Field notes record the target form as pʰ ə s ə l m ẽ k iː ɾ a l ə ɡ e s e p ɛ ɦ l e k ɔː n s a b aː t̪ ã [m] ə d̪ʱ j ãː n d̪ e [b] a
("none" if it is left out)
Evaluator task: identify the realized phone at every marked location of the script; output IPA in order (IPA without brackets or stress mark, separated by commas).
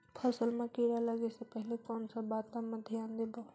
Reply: m, b